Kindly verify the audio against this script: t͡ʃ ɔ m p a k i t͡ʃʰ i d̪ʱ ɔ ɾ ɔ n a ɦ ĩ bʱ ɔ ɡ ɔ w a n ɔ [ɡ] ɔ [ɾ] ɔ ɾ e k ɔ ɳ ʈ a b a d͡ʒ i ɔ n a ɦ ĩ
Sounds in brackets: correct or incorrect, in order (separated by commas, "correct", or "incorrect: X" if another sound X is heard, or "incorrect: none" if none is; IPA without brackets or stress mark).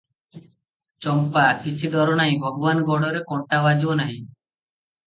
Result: correct, incorrect: ɽ